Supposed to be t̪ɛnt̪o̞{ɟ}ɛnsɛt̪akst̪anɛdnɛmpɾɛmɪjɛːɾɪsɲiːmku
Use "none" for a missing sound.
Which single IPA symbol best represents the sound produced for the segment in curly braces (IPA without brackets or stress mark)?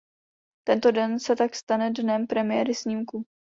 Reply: d